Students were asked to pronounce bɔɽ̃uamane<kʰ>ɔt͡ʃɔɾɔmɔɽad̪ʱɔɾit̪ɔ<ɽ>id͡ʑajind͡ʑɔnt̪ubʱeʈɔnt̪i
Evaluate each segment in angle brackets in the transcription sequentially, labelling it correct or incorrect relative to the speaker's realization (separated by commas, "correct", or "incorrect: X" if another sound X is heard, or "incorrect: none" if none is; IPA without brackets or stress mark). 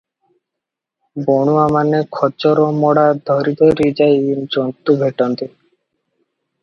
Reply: correct, incorrect: ɾ